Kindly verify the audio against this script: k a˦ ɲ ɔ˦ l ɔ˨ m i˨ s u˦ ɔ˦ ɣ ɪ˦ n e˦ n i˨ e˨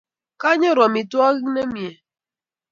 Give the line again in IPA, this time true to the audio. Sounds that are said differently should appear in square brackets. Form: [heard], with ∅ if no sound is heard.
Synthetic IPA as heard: k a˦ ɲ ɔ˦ [ɾ] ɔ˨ m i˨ [t] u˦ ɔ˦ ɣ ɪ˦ n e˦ [m] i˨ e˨